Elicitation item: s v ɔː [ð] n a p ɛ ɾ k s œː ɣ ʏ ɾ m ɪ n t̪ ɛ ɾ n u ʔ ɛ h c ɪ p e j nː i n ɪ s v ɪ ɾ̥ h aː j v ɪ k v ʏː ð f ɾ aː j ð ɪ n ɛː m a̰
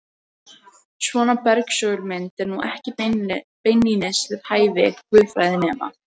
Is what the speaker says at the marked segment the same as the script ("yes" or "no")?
no